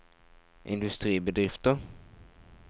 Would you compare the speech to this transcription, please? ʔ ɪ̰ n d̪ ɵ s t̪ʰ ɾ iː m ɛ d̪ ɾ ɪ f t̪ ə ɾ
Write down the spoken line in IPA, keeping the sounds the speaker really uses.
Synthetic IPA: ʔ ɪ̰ n d̪ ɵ s t̪ ɾ iː b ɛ d̪ ɾ ɪ f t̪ ə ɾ